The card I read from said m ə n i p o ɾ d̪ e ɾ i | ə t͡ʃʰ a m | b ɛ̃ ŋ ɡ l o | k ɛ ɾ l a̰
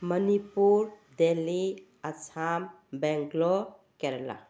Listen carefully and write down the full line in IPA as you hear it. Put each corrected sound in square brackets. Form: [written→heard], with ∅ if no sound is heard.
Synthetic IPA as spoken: m ə n i p [o→u] ɾ d̪ e [ɾ→l] i | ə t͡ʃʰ a m | b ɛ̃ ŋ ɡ l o | k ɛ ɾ l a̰